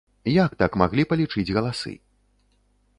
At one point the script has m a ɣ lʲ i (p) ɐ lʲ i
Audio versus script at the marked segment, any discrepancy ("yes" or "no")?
no